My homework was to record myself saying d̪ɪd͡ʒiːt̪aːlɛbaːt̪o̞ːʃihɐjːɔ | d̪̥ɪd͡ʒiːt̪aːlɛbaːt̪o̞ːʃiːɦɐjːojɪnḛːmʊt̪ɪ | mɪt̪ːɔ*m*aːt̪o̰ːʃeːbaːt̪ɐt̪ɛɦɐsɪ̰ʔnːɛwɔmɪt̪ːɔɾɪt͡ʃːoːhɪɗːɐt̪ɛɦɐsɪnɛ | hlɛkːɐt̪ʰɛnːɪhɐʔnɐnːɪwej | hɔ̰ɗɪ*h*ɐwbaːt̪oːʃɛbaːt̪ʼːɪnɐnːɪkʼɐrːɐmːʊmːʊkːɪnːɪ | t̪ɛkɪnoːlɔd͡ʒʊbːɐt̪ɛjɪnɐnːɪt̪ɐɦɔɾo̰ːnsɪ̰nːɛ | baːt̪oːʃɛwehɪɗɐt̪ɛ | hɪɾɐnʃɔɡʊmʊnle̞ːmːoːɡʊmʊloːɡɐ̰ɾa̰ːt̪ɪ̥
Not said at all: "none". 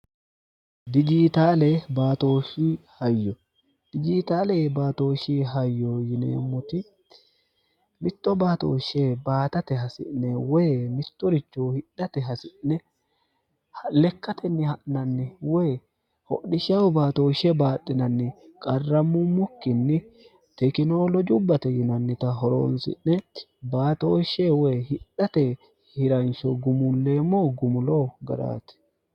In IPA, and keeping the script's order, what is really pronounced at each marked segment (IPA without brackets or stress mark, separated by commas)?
b, ʃ